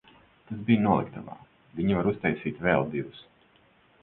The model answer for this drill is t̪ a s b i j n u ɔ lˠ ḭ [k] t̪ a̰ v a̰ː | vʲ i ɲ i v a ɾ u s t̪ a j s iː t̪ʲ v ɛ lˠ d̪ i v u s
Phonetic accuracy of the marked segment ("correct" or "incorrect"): correct